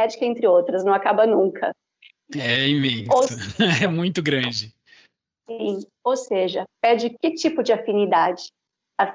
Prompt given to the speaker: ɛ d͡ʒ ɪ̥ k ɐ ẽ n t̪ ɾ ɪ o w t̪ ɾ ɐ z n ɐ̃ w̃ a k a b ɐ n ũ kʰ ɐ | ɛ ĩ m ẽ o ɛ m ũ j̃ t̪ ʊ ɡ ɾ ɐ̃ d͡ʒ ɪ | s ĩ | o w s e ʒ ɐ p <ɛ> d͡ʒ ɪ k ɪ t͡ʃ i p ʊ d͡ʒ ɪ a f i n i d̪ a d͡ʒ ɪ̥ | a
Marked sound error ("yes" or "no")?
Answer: no